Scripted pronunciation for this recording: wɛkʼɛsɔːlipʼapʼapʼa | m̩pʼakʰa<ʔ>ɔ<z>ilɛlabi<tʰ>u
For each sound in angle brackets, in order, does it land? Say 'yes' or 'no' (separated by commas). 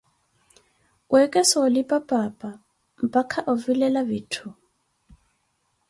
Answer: yes, no, yes